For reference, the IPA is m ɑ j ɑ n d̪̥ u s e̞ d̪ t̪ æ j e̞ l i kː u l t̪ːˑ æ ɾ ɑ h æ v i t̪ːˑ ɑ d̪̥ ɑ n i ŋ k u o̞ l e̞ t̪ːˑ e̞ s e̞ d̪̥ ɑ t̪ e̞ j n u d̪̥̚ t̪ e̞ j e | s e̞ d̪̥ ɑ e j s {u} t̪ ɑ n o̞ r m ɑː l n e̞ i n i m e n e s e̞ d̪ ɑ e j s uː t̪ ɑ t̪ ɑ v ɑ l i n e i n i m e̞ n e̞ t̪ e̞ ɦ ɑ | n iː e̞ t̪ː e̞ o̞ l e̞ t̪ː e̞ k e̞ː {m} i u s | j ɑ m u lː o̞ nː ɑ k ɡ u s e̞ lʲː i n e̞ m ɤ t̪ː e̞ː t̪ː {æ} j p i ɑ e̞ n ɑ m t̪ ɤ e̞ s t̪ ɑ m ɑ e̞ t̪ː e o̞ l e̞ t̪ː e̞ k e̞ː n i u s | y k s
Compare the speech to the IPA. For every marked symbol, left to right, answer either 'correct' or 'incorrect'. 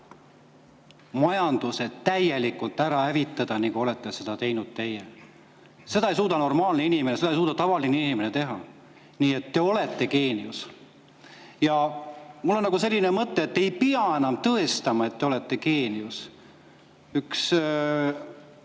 incorrect: uː, incorrect: n, incorrect: e

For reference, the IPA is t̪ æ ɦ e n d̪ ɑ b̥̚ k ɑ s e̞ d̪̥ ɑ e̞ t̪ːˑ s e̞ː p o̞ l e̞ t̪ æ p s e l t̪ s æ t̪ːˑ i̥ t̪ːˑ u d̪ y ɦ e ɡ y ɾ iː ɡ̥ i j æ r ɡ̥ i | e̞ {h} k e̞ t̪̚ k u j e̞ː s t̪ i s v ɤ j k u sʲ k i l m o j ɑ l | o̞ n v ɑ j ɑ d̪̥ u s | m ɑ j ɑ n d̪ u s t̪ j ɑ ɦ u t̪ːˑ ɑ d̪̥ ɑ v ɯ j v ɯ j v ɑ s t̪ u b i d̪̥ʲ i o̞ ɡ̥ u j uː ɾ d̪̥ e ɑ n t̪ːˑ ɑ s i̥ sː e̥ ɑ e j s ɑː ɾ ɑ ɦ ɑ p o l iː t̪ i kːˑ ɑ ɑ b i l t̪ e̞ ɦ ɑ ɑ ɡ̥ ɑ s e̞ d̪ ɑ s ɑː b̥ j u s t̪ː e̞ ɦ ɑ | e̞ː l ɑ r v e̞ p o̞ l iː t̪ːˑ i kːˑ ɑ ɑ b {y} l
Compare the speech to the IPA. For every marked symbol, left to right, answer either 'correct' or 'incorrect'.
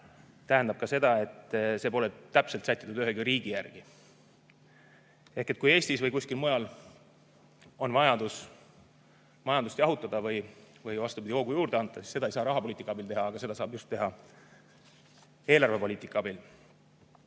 correct, incorrect: i

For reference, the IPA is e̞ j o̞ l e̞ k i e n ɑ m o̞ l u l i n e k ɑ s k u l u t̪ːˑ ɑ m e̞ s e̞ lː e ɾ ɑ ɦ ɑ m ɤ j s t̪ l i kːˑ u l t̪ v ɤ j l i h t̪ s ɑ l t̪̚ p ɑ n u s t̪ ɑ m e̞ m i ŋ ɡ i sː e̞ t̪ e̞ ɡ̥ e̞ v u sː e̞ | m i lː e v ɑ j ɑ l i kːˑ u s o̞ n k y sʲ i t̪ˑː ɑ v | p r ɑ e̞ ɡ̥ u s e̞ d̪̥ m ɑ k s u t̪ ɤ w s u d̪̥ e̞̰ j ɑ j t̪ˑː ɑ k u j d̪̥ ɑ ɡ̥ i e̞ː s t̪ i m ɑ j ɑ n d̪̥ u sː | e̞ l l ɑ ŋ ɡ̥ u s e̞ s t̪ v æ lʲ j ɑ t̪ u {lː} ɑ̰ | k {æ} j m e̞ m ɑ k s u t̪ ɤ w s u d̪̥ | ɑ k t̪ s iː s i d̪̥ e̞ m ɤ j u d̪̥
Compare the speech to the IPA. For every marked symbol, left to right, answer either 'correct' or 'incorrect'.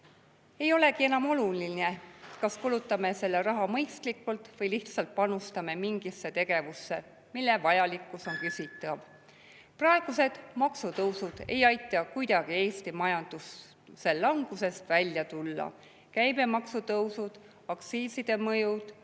correct, correct

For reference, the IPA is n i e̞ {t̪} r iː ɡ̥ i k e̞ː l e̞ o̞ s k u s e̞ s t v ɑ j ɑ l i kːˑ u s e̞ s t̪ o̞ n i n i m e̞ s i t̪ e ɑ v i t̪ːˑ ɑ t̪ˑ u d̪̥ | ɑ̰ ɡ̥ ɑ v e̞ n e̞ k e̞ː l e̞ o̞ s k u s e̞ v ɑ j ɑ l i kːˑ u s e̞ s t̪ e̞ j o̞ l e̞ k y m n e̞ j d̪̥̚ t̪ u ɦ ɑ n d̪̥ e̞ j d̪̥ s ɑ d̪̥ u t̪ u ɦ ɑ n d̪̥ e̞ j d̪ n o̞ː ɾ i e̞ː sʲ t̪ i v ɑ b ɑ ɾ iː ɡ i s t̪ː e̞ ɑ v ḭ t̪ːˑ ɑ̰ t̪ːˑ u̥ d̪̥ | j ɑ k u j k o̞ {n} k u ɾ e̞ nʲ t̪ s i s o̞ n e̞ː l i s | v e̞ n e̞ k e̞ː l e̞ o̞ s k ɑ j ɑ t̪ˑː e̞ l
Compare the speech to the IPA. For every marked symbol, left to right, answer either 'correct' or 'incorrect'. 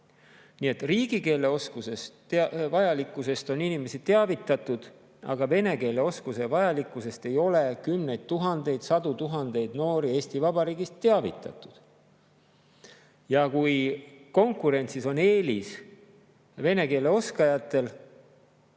correct, incorrect: ŋ

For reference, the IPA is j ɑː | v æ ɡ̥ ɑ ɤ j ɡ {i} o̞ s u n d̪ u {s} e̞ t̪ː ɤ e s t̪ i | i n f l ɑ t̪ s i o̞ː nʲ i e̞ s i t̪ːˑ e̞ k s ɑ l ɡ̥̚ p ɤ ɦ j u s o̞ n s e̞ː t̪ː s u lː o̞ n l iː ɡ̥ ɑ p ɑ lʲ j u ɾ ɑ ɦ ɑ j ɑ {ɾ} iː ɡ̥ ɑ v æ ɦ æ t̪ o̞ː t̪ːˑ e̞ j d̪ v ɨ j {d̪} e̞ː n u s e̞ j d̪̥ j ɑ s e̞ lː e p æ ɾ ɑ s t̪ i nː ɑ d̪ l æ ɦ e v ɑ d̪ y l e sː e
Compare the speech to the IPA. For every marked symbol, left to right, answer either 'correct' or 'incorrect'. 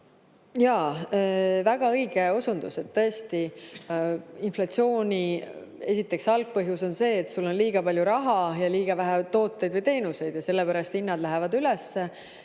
incorrect: e, correct, incorrect: l, incorrect: t̪

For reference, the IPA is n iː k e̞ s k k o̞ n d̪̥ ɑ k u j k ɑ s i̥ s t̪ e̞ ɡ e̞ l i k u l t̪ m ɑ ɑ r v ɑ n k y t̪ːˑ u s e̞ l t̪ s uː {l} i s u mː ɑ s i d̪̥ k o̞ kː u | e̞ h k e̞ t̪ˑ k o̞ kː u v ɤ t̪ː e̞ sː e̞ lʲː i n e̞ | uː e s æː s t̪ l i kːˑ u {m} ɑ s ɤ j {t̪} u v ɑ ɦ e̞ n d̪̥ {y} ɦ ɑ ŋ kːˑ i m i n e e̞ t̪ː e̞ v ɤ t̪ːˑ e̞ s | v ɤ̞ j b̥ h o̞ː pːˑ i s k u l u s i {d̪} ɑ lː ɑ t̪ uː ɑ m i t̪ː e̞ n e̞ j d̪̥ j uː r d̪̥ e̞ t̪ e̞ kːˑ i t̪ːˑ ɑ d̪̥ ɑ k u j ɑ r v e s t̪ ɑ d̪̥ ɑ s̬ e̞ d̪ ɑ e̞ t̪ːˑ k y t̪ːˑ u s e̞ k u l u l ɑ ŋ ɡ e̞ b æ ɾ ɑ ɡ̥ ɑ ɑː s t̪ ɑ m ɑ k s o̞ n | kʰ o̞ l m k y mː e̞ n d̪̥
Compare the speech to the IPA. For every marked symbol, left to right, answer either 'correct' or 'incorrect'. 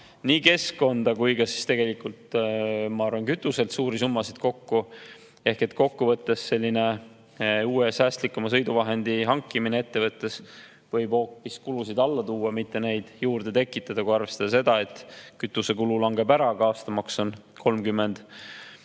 incorrect: ɾ, correct, incorrect: d̪, incorrect: i, correct

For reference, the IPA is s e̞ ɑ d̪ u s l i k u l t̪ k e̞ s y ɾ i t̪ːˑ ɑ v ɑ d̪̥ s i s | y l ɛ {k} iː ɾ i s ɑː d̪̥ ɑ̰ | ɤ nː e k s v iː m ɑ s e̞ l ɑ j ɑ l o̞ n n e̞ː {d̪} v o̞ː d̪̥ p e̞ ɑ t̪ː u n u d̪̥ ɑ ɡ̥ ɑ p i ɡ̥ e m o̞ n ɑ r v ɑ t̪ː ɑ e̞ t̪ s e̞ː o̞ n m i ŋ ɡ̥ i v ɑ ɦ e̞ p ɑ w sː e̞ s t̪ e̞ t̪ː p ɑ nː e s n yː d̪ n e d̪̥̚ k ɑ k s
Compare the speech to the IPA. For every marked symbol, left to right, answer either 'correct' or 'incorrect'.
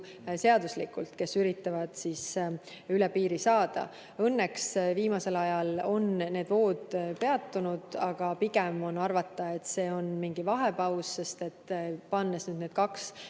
incorrect: p, correct

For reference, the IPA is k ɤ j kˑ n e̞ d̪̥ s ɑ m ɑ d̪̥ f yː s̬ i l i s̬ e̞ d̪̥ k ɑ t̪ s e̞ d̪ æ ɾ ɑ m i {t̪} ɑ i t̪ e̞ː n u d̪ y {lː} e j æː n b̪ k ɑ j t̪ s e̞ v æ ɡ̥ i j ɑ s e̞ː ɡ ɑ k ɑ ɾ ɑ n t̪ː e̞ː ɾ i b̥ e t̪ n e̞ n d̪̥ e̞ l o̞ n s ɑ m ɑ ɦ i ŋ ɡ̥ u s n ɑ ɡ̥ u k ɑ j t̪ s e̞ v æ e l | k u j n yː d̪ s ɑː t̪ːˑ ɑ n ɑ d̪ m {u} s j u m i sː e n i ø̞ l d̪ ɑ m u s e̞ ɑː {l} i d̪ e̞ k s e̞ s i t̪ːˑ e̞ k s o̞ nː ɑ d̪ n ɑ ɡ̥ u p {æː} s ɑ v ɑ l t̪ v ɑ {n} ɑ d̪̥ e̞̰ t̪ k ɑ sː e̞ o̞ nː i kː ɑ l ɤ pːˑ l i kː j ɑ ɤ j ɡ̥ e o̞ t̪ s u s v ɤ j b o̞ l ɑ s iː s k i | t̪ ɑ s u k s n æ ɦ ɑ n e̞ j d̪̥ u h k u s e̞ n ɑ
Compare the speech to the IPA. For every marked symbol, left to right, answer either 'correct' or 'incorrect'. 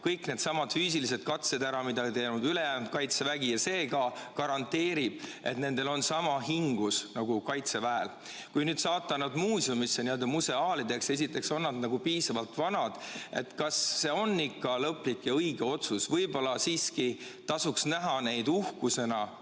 incorrect: d̪, incorrect: l, incorrect: uː, correct, incorrect: iː, correct

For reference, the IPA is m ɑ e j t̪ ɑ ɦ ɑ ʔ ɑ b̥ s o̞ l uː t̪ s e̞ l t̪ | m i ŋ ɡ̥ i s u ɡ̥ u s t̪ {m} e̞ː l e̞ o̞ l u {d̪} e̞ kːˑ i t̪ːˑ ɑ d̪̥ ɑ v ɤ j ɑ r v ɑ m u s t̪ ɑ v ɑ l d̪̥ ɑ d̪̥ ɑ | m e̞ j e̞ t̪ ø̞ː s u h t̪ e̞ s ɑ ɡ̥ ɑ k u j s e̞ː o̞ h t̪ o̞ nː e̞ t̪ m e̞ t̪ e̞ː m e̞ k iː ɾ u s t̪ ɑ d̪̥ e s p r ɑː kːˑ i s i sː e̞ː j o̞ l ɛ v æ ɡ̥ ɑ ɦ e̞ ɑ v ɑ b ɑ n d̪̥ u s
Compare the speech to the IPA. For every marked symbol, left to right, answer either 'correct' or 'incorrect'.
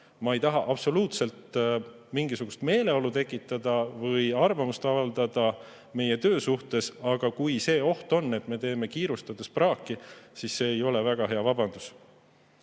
correct, incorrect: t̪

